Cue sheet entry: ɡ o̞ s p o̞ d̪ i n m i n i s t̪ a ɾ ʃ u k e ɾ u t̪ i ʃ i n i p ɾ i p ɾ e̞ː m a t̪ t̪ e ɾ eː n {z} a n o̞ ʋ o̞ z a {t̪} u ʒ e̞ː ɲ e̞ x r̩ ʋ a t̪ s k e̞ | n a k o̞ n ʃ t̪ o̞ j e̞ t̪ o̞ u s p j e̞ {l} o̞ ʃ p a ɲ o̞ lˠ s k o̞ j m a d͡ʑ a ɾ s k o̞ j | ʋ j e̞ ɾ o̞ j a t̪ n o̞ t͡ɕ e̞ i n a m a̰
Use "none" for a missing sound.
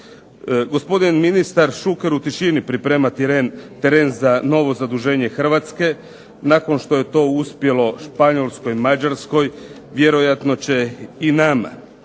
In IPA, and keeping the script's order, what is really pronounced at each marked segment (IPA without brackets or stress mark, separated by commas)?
z, d̪, l